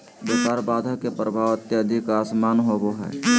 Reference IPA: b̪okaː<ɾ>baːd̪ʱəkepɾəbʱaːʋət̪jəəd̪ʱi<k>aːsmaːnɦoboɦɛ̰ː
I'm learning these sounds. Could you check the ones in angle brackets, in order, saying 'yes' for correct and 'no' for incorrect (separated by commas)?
yes, yes